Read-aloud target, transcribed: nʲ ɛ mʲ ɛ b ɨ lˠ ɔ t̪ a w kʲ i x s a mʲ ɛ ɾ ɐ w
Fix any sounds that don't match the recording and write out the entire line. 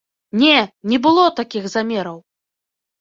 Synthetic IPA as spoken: nʲ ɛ nʲ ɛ b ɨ lˠ ɔ t̪ a kʲ i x z a mʲ ɛ ɾ ɐ w